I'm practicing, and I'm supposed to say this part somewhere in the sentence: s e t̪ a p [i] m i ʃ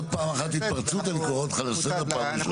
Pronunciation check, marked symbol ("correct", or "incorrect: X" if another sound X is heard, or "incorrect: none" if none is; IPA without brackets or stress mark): incorrect: a